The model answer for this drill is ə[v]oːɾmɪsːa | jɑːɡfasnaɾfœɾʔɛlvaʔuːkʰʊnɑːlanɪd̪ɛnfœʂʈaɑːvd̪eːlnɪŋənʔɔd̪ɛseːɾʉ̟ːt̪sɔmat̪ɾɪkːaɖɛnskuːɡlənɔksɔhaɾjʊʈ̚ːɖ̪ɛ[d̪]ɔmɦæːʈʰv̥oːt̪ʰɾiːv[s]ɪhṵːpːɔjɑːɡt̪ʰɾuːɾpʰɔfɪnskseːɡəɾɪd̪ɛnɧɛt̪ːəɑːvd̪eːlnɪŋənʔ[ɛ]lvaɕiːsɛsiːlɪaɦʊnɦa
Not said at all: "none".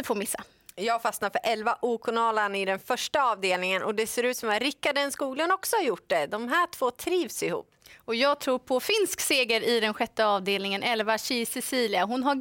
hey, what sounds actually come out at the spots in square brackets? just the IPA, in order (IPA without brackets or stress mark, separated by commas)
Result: f, d̪, s, ɛ